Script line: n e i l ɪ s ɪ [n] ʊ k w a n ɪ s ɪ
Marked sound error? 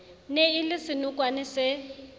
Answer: no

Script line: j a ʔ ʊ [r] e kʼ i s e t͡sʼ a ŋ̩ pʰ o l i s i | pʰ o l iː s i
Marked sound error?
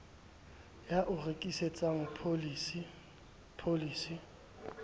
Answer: no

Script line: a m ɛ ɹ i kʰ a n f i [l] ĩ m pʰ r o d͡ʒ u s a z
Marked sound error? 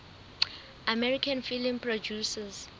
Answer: no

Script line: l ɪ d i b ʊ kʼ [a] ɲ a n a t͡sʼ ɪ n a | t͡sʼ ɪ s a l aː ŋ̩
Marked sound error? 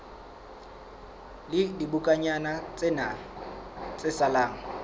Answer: no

